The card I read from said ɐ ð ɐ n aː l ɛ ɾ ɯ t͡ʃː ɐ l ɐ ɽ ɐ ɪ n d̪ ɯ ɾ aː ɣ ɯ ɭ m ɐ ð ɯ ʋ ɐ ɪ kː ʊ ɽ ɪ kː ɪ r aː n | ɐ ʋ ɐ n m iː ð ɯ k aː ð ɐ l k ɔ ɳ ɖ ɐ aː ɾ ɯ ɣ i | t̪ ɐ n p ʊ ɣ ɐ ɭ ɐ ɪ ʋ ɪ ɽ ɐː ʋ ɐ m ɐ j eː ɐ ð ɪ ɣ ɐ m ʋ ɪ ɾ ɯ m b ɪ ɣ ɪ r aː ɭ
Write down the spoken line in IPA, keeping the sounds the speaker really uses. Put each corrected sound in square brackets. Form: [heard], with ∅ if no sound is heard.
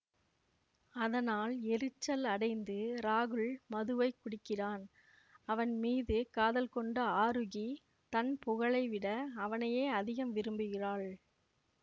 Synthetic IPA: ɐ ð ɐ n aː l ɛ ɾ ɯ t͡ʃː ɐ l ɐ ɽ ɐ ɪ n d̪ ɯ ɾ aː ɣ ɯ ɭ m ɐ ð ɯ ʋ ɐ ɪ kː ʊ ɽ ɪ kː ɪ r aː n | ɐ ʋ ɐ n m iː ð ɯ k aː ð ɐ l k ɔ ɳ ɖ ɐ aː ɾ ɯ ɣ i | t̪ ɐ n p ʊ ɣ ɐ ɭ ɐ ɪ ʋ ɪ ɽ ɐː ʋ ɐ [n] ɐ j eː ɐ ð ɪ ɣ ɐ m ʋ ɪ ɾ ɯ m b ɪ ɣ ɪ r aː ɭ